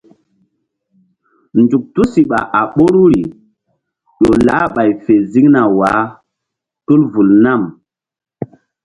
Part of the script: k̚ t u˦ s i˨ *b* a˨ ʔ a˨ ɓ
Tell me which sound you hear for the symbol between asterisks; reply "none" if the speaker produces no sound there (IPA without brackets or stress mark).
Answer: ɓ